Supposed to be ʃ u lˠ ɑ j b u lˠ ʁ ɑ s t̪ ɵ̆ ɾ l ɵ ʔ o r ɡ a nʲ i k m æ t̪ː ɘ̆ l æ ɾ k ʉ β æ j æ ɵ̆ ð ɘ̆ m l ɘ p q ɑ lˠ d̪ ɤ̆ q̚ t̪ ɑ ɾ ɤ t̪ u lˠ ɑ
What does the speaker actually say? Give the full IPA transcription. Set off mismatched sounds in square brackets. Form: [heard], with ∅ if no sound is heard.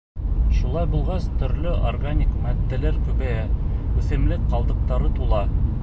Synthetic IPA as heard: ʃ u lˠ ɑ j b u lˠ ʁ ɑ s t̪ ɵ̆ ɾ l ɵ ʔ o r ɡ a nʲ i k m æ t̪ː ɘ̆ l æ ɾ k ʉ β æ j æ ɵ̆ [θ] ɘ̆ m l ɘ [k] q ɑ lˠ d̪ ɤ̆ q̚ t̪ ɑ ɾ ɤ t̪ u lˠ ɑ